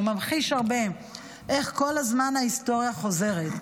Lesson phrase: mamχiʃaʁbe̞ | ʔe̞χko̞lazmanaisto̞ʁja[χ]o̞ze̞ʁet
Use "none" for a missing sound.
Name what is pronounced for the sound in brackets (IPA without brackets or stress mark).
χ